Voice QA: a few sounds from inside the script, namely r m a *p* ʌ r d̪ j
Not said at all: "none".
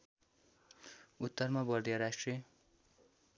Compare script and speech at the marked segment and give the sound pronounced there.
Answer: b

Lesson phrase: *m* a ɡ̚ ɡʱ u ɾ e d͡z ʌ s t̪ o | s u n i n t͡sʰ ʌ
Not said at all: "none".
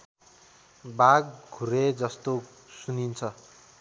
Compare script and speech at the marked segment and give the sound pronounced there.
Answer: b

